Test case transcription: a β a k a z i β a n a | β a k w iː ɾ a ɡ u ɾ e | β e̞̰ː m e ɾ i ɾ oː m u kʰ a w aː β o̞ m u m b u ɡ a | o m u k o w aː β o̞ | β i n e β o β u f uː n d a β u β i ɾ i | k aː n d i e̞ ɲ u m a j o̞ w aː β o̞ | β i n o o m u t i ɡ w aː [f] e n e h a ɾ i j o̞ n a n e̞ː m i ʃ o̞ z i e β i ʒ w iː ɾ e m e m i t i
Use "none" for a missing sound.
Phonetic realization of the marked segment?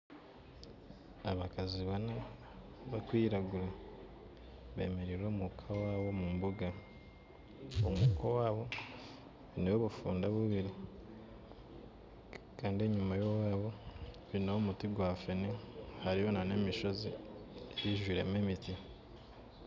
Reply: f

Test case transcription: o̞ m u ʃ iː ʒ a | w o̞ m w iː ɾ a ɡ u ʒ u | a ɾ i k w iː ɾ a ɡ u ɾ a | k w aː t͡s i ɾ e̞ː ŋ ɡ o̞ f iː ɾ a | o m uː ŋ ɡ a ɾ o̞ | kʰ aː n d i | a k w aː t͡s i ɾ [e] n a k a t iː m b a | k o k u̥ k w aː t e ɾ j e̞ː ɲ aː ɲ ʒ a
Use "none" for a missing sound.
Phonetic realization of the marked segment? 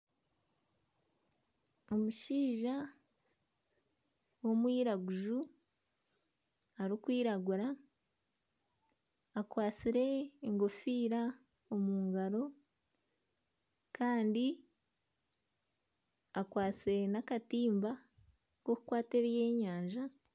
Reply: e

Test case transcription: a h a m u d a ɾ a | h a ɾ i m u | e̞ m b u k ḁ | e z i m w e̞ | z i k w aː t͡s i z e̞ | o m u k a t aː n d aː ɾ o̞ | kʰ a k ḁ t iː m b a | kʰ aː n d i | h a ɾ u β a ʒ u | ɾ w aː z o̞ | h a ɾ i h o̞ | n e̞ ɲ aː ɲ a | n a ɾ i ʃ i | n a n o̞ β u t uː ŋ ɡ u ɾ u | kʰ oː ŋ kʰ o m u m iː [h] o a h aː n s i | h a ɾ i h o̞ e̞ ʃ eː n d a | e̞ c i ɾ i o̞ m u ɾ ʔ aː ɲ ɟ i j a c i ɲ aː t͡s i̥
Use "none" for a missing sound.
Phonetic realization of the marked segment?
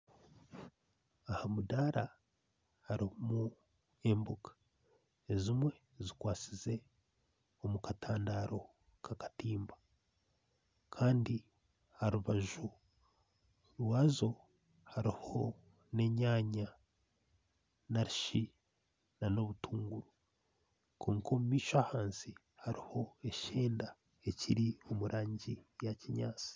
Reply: ʃ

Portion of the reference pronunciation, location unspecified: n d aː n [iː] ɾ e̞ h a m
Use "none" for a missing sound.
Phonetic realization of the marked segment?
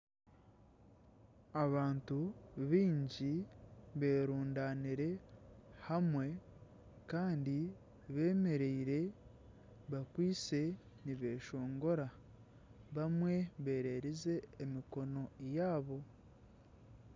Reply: i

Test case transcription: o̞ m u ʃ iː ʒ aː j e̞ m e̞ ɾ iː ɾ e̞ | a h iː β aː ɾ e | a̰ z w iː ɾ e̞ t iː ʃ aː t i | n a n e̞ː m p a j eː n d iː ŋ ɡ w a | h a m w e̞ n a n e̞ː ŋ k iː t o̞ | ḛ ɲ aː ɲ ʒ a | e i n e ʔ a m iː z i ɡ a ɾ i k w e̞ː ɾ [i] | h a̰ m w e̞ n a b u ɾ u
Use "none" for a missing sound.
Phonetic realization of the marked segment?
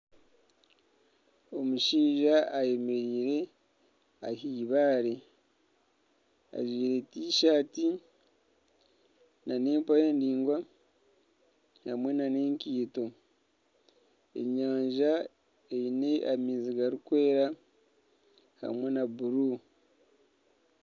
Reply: a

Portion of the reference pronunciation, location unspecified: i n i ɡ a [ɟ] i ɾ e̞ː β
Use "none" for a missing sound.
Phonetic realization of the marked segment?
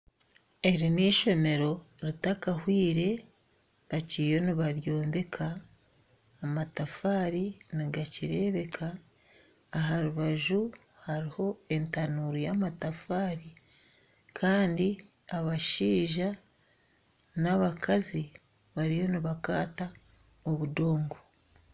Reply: c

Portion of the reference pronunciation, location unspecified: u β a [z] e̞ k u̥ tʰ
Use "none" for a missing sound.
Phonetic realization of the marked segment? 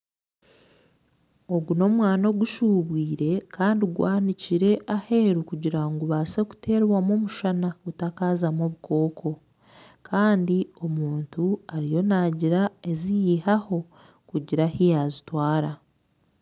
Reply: s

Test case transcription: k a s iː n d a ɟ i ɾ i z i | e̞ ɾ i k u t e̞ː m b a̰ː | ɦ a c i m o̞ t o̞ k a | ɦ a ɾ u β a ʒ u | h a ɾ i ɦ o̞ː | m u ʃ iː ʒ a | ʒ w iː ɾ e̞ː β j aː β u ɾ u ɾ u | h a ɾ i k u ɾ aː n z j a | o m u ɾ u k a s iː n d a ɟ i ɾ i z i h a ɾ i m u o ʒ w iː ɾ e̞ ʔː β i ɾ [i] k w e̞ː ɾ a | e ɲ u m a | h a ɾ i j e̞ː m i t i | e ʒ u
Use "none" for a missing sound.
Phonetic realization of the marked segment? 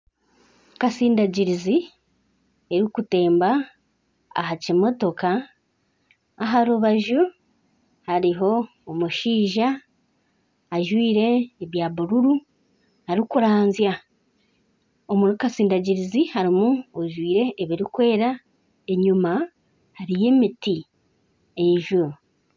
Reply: i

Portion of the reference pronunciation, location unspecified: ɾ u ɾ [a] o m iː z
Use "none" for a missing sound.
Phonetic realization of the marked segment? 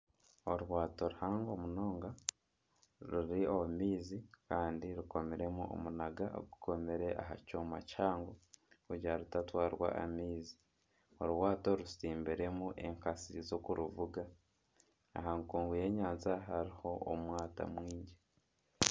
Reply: i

